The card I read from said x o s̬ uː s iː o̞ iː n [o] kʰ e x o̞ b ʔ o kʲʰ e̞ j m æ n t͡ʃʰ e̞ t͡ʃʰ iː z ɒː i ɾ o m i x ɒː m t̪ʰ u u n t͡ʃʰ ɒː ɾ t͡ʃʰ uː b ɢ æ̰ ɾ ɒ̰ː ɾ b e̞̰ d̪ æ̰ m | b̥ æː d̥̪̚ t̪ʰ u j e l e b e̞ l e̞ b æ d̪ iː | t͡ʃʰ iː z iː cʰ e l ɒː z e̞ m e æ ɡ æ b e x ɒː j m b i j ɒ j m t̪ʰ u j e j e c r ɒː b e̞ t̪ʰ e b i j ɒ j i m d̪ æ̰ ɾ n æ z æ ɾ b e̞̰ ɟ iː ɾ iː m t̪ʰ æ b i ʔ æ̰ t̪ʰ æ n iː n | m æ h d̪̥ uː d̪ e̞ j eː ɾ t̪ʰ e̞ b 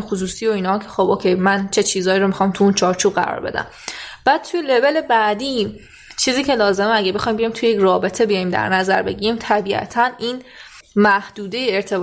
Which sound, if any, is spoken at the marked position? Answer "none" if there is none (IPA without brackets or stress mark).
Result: ɒ